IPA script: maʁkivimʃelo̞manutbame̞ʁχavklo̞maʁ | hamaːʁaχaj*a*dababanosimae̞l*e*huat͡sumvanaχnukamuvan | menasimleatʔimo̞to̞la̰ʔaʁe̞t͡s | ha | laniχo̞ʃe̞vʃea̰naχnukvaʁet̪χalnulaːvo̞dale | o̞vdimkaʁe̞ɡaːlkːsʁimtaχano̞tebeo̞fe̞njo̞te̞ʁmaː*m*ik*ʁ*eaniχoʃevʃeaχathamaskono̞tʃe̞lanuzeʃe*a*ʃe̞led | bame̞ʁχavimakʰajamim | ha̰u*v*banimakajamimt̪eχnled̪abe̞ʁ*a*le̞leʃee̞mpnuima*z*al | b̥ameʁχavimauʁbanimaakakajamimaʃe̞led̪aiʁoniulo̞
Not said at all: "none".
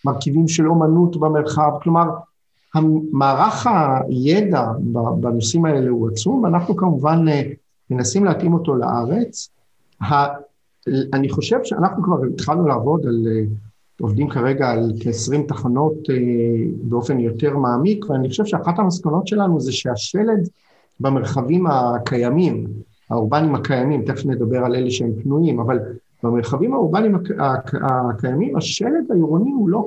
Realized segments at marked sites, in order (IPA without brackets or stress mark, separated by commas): e, e, m, v, a, ʁ, a, v